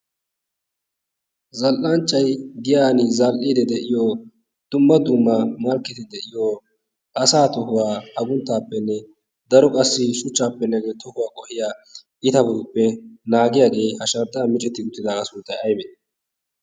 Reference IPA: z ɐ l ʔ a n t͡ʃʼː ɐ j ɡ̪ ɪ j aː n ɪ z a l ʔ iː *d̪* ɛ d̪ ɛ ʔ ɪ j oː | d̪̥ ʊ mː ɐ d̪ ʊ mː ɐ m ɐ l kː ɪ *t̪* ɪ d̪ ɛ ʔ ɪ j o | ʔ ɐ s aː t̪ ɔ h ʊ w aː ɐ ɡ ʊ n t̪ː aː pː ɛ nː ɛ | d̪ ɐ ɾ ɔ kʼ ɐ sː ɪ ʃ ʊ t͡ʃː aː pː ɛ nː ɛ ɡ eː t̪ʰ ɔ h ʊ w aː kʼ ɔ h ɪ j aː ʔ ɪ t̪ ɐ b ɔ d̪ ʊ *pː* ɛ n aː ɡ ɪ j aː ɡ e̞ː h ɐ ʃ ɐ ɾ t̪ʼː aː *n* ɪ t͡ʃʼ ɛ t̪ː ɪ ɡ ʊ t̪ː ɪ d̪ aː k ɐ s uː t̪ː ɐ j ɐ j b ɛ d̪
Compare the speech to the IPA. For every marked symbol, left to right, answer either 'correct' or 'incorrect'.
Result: correct, correct, correct, incorrect: m

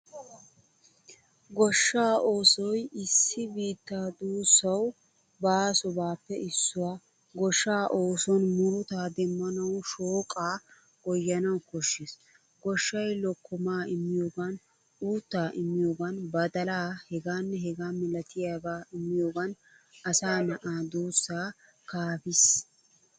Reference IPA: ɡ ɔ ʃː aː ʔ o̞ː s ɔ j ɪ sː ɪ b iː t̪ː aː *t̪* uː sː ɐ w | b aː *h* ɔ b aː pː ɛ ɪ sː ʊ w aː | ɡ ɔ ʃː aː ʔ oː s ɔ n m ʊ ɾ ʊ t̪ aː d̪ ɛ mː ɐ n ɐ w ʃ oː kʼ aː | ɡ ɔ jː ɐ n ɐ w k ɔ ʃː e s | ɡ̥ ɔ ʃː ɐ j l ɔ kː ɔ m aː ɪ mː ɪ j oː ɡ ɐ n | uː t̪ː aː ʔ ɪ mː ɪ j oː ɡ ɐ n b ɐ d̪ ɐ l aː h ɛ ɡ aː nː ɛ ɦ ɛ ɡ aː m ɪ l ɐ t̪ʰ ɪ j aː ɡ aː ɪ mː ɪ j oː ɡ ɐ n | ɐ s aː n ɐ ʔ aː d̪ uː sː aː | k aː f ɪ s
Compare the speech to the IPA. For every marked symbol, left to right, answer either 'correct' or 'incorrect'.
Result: incorrect: d̪, incorrect: s

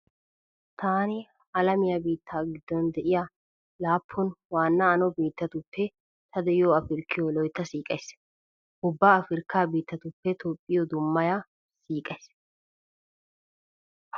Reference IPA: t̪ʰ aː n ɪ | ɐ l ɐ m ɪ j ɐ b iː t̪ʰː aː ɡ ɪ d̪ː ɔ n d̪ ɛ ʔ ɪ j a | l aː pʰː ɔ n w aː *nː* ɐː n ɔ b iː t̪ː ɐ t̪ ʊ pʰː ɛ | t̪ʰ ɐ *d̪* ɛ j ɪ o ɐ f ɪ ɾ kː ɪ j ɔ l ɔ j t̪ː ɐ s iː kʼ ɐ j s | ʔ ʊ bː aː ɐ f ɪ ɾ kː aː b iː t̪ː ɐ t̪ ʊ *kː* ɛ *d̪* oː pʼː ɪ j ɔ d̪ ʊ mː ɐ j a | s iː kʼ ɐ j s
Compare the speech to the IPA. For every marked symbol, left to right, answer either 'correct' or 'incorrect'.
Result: correct, correct, incorrect: pː, incorrect: t̪

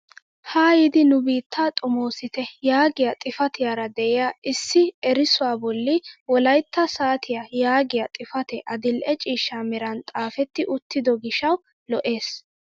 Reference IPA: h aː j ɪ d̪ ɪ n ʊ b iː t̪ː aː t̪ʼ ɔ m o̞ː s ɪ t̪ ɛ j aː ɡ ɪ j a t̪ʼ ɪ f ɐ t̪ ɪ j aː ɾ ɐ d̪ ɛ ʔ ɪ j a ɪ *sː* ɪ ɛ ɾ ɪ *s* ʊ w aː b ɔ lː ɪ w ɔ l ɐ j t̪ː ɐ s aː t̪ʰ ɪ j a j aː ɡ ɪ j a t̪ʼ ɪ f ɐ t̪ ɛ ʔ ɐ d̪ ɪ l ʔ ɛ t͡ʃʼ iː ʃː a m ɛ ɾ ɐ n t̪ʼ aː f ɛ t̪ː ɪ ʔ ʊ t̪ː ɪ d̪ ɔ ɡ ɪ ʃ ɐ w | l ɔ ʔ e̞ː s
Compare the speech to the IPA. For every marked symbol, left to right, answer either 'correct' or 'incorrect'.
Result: correct, correct

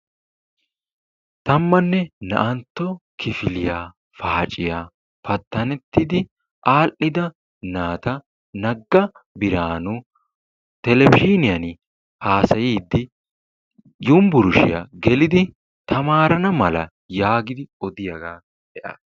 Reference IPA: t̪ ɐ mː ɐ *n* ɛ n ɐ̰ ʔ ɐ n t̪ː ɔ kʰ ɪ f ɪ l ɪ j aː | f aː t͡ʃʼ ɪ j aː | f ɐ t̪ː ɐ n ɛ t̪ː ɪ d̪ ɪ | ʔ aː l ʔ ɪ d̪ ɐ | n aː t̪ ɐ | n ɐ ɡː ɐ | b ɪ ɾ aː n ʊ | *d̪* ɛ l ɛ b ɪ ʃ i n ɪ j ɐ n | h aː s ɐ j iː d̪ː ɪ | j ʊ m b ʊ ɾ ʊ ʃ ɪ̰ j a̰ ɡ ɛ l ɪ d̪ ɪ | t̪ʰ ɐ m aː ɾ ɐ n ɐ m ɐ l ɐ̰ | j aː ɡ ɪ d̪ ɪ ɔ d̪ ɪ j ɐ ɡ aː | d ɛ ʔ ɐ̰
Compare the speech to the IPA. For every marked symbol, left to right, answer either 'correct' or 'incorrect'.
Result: incorrect: nː, incorrect: t̪

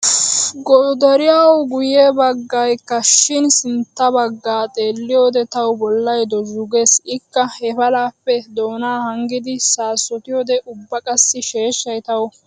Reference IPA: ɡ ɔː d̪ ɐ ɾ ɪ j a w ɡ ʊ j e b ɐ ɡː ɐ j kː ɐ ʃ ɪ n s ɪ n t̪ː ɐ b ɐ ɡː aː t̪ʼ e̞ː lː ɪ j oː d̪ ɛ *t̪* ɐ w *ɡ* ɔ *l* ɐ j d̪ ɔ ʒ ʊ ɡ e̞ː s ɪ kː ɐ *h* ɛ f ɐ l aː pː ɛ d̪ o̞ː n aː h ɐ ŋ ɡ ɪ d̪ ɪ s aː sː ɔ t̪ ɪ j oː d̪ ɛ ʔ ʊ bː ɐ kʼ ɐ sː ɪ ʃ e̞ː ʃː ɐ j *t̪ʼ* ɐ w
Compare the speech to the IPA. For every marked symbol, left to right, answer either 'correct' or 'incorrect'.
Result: correct, incorrect: b, incorrect: lː, correct, incorrect: t̪

